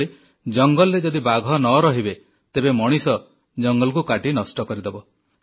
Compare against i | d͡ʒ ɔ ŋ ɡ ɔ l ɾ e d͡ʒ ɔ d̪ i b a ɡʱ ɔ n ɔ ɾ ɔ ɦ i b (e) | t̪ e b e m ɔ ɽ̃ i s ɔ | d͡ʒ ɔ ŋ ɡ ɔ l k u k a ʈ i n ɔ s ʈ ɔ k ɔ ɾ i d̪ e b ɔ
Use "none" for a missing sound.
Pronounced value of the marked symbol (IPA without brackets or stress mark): e